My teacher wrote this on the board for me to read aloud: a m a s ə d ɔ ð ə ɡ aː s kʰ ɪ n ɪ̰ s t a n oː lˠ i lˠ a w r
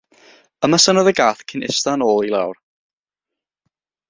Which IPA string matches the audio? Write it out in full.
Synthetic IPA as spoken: ə m a s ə n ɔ ð ə ɡ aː θ kʰ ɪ n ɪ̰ s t a n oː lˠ i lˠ a w r